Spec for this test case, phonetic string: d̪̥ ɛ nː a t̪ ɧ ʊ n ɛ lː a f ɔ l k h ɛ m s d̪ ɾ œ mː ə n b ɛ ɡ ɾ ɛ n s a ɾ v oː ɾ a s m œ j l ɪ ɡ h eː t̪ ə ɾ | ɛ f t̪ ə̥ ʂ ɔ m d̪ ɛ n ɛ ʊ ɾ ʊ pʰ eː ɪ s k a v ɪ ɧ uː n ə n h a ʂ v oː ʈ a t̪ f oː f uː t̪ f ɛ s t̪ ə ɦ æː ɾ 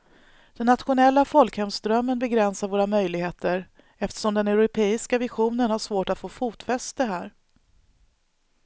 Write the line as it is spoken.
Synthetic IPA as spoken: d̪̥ ɛ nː a t̪ ɧ ʊ n ɛ lː a f ɔ l k h ɛ m s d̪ ɾ œ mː ə n b ɛ ɡ ɾ ɛ n s a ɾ v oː ɾ a m œ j l ɪ ɡ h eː t̪ ə ɾ | ɛ f t̪ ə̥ ʂ ɔ m d̪ ɛ n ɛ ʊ ɾ ʊ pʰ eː ɪ s k a v ɪ ɧ uː n ə n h a ʂ v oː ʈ a t̪ f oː f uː t̪ f ɛ s t̪ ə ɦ æː ɾ